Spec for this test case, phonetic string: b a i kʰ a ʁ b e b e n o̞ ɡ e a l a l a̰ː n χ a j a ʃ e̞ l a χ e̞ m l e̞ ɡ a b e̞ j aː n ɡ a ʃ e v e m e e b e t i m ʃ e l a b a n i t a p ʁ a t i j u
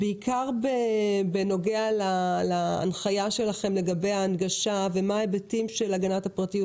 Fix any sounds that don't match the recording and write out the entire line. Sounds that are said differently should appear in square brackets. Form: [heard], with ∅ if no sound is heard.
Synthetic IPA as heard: b [e] i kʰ a ʁ b e b e n o̞ ɡ e a l a l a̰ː n χ a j a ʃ e̞ l a χ e̞ m l e̞ ɡ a b e̞ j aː n ɡ a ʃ [a] v e m [a] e b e t i m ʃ e l a [ɡ] a n [a] t a p ʁ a t i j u